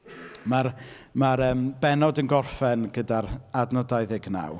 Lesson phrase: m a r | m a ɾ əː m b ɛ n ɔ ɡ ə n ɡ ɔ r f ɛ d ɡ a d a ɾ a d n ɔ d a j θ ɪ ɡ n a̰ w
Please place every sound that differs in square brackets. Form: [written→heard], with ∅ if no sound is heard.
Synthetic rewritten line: m a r | m a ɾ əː m b ɛ n ɔ [ɡ→d] ə n ɡ ɔ r f ɛ [d→n] ɡ [a→ə] d a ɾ a d n ɔ d a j [θ→ð] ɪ ɡ n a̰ w